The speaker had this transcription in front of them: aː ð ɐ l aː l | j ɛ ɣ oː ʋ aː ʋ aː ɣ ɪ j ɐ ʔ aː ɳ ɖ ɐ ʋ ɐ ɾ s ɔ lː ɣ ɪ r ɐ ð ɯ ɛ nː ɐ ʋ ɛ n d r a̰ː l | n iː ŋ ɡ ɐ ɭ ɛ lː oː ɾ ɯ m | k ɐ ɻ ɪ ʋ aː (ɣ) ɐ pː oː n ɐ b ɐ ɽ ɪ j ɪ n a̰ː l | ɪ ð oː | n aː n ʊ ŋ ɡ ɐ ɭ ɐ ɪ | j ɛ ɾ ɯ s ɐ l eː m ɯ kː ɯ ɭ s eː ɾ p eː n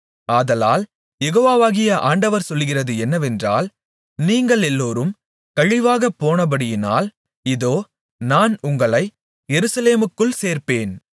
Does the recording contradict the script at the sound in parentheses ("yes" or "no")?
no